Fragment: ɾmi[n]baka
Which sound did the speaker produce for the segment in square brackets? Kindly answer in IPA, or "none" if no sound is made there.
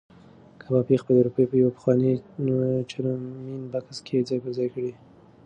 n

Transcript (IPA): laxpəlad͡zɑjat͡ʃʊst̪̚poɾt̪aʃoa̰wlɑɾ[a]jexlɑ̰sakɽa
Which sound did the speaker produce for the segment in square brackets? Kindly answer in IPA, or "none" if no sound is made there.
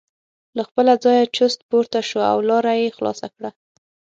a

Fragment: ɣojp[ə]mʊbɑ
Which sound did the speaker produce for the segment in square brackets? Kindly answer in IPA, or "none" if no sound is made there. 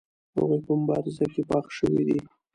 ə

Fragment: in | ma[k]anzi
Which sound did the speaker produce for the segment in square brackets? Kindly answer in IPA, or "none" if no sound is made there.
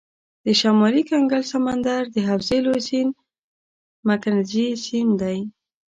k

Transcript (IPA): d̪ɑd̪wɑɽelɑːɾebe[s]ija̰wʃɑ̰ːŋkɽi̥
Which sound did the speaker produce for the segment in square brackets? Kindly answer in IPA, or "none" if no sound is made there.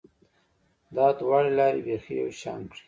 x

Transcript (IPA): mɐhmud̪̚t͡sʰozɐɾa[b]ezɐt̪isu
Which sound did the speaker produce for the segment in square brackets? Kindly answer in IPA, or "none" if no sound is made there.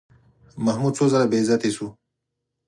b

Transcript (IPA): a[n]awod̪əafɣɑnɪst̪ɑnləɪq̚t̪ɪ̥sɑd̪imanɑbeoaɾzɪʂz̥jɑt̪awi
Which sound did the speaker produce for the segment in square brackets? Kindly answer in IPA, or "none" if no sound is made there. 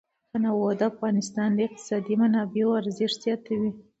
n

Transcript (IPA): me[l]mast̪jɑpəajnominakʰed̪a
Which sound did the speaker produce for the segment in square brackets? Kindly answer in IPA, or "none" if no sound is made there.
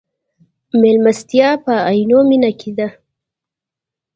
l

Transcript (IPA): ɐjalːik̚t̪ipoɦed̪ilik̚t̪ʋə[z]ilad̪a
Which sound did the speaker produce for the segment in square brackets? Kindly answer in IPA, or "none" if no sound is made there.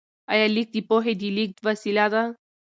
s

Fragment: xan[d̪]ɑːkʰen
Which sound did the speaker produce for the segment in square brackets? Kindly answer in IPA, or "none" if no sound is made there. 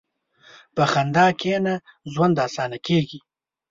d̪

